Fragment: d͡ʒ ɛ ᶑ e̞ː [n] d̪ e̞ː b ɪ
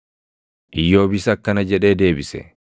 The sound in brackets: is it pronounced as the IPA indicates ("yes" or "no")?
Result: no